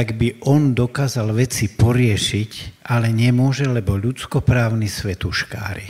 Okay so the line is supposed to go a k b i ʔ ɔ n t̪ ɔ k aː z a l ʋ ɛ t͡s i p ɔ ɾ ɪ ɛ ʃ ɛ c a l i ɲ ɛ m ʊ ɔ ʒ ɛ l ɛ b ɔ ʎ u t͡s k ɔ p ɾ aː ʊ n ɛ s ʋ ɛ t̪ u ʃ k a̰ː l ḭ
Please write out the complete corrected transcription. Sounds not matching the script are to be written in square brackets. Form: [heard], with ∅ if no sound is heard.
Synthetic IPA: a [ɡ] b i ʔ ɔ n [d̪] ɔ k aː z a l ʋ ɛ t͡s i p ɔ ɾ ɪ ɛ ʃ [i] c a l [ɛ] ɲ ɛ m ʊ ɔ ʒ ɛ l ɛ b ɔ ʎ u t͡s k ɔ p ɾ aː ʊ n [i] s ʋ ɛ t̪ u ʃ k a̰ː [ɾ] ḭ